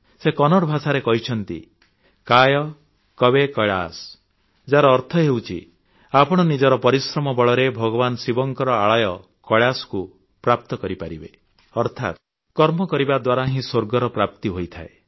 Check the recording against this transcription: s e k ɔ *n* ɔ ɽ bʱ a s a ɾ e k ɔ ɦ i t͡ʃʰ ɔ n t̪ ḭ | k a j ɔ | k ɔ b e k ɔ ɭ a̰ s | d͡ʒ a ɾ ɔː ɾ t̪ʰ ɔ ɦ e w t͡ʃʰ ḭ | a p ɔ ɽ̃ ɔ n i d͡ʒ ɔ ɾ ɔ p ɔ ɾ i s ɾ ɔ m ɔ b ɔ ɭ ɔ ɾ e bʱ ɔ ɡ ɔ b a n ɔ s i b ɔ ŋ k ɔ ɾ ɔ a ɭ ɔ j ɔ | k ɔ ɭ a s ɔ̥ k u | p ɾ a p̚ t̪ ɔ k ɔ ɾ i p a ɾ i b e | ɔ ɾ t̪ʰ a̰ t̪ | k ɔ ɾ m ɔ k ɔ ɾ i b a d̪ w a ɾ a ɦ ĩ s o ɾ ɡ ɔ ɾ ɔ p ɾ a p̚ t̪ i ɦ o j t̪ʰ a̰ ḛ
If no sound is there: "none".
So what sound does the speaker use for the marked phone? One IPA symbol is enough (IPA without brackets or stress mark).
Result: n